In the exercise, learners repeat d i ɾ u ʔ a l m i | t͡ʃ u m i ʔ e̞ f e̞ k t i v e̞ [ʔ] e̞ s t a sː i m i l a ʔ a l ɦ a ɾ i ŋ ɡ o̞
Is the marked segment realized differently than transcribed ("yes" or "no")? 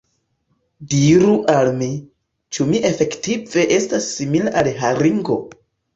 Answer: no